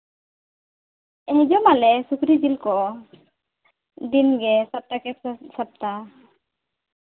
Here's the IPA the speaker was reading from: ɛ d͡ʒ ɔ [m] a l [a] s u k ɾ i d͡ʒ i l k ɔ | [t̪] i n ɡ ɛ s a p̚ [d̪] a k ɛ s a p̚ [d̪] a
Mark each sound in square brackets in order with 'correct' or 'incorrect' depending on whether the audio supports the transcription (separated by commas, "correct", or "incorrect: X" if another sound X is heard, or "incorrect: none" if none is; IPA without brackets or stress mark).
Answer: correct, incorrect: ɛ, incorrect: d̪, incorrect: t̪, incorrect: t̪